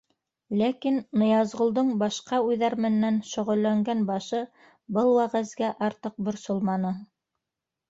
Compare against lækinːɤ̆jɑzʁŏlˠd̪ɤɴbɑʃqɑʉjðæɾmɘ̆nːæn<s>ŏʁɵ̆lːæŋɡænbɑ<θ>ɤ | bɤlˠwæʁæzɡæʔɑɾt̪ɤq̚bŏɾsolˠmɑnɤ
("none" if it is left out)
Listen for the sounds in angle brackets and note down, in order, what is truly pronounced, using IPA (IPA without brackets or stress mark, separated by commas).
ʃ, ʃ